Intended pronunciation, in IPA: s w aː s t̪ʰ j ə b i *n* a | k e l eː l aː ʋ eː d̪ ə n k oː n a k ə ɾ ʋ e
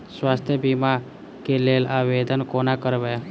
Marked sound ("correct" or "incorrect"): incorrect